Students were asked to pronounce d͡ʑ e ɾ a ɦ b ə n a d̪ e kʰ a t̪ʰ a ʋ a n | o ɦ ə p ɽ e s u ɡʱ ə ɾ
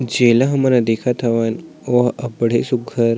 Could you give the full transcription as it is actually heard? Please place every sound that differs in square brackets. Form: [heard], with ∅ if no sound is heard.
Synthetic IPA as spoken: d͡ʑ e [l] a ɦ [m] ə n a d̪ e kʰ a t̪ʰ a ʋ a n | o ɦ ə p ɽ e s u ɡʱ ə ɾ